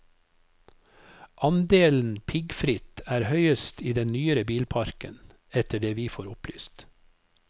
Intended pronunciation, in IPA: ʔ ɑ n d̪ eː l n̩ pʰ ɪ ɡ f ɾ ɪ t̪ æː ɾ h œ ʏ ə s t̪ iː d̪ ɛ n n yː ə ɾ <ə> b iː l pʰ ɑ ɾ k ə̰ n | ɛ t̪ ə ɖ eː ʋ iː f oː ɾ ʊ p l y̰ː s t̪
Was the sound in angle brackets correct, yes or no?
yes